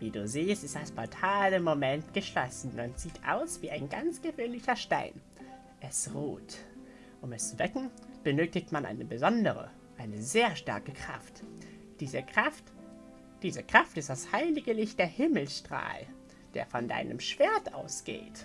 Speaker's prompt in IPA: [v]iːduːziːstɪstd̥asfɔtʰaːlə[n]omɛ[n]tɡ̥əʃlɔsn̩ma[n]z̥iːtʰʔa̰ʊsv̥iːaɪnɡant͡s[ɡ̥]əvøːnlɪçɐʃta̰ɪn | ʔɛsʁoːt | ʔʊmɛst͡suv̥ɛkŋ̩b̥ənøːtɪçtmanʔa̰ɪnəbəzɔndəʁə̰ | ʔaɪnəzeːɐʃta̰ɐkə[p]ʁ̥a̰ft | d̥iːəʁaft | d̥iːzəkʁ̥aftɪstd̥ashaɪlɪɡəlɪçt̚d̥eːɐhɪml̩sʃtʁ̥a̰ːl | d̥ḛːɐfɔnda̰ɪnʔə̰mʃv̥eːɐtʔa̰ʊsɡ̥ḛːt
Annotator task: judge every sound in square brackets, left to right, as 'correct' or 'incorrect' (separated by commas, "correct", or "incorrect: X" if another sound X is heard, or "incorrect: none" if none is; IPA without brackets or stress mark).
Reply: correct, incorrect: m, correct, correct, correct, incorrect: k